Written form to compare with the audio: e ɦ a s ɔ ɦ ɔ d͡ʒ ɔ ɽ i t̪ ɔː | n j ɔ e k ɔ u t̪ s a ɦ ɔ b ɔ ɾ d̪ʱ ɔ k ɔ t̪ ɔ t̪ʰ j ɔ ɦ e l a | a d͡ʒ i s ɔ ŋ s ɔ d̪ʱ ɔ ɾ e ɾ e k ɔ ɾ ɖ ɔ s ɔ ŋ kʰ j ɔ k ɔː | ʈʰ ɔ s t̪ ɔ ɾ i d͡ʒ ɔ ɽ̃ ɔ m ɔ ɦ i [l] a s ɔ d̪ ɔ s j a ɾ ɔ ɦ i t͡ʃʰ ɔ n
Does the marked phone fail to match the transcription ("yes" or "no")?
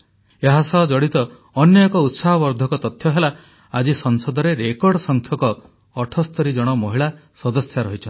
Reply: yes